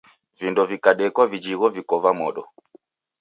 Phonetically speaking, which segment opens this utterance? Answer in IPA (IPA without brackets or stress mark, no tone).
v